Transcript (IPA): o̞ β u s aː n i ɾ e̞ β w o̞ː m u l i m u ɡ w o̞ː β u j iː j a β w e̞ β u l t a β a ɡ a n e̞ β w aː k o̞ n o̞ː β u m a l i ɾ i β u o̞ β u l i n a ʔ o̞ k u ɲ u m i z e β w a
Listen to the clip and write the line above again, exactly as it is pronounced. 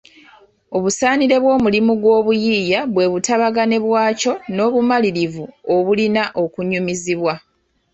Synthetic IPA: o̞ β u s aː n i ɾ e̞ β w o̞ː m u l i m u ɡ w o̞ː β u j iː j a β w e̞ β u t a β a ɡ a n e̞ β w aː c o̞ n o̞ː β u m a l i ɾ i v u o̞ β u l i n a ʔ o̞ k u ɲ u m i z i β w a